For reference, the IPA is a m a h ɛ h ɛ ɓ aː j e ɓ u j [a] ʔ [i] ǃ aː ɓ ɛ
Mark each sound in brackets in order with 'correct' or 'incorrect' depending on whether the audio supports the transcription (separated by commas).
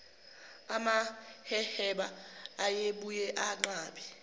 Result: incorrect, incorrect